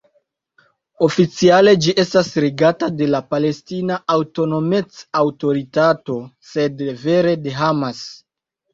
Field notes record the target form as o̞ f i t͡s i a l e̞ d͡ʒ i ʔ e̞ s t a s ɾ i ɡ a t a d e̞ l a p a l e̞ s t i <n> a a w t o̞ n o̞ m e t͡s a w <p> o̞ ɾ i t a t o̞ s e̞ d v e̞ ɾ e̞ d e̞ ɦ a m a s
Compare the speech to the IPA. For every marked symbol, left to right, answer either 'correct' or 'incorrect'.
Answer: correct, incorrect

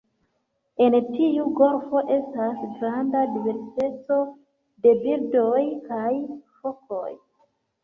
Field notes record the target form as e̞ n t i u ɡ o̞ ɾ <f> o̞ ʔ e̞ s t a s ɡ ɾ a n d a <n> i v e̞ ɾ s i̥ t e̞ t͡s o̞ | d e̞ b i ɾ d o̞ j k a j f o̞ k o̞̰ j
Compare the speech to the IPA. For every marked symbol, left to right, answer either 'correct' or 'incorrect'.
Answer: correct, incorrect

